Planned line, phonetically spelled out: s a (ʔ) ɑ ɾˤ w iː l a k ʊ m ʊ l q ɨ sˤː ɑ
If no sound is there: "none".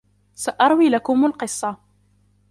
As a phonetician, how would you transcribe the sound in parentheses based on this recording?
ʔ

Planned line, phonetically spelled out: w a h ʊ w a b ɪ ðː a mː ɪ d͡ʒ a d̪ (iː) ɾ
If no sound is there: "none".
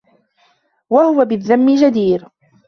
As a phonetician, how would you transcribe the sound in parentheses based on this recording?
iː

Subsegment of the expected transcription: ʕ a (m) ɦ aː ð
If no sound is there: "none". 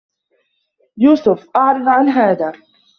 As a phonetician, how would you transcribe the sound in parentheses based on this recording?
n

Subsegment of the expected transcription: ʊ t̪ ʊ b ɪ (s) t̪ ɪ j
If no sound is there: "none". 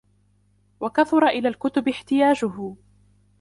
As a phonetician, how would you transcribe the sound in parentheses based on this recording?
ħ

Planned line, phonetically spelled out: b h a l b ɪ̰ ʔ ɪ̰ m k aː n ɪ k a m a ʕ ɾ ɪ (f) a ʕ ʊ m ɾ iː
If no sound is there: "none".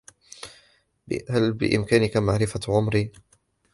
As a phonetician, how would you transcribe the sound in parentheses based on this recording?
f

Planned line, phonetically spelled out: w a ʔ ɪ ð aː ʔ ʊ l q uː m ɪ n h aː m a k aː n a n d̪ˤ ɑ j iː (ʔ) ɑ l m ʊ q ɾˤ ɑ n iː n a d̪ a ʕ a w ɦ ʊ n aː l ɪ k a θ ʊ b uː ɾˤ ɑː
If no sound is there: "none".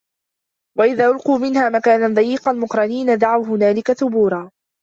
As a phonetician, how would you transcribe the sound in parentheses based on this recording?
q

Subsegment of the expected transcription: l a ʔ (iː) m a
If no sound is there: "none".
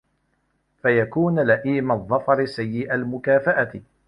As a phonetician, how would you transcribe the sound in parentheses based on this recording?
iː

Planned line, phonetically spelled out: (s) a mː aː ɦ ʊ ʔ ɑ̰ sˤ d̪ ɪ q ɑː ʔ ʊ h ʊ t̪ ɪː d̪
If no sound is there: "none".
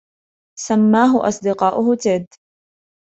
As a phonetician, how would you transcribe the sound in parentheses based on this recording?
s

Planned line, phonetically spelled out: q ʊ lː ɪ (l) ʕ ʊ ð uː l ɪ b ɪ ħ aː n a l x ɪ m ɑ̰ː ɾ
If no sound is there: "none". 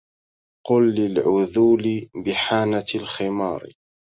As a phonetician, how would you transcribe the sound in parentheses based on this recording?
l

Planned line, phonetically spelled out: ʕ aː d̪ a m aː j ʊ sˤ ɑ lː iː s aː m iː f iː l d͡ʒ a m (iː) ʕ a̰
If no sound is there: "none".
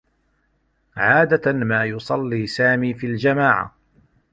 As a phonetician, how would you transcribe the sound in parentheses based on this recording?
aː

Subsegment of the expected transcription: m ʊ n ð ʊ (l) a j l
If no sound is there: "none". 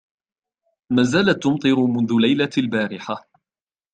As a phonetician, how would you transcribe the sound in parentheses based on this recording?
l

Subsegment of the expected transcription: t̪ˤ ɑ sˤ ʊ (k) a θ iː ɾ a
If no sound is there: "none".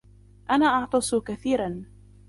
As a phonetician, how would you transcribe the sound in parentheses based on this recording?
k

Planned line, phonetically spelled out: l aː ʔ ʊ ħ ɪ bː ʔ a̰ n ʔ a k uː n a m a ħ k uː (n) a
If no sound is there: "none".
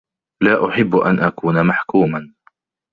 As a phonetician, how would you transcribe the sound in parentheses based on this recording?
m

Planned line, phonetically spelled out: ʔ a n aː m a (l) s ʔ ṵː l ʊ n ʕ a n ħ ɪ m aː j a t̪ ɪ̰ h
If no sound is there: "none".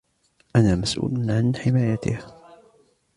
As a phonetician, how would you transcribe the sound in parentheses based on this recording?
none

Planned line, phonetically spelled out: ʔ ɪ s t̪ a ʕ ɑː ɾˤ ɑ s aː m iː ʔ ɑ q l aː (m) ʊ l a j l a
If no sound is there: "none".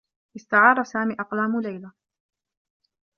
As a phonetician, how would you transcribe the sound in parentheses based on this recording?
m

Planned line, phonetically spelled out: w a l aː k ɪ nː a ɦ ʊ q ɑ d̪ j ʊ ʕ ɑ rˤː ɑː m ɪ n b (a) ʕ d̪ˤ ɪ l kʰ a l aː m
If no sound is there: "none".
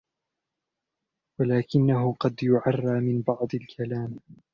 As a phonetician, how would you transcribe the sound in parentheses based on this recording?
ɑ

